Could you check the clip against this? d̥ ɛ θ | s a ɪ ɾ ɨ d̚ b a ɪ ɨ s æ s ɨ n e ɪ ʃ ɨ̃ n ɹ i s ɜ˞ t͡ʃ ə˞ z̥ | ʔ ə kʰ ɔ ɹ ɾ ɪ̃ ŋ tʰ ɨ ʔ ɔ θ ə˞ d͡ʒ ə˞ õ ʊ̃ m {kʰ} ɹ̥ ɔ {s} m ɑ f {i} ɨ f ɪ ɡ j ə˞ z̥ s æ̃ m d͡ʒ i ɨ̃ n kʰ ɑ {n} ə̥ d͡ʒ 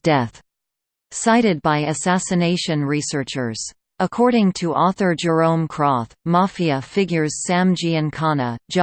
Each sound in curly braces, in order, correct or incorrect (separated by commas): correct, incorrect, correct, correct